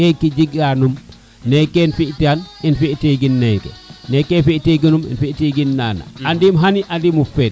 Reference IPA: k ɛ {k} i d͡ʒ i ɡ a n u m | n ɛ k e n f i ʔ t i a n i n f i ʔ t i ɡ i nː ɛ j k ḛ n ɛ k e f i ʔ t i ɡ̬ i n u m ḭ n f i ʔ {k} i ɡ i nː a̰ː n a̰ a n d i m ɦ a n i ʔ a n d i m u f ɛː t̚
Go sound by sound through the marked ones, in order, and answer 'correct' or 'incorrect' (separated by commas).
correct, incorrect